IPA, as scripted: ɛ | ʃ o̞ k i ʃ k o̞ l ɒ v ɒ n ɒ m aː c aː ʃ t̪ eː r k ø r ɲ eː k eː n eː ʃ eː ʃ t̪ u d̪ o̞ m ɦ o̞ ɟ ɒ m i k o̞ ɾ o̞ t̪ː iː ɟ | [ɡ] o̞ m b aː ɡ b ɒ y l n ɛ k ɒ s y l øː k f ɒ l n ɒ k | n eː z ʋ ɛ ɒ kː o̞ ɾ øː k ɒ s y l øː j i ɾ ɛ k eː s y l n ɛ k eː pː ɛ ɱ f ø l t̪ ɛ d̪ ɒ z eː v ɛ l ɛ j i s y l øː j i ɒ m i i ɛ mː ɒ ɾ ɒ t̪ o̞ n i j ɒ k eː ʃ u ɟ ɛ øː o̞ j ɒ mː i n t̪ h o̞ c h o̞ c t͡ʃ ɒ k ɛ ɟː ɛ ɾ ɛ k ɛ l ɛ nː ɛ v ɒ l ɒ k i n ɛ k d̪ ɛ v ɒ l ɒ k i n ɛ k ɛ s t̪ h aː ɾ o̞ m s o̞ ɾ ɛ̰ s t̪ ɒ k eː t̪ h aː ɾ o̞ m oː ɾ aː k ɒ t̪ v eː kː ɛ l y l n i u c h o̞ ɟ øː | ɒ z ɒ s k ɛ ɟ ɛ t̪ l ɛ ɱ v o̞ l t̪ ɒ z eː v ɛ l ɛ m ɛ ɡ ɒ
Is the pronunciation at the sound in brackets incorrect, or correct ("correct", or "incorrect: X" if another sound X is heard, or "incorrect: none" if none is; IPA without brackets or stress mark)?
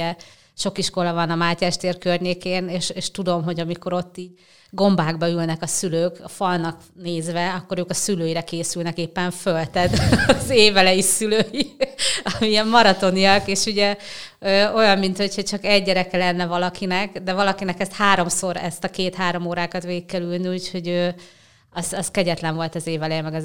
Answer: correct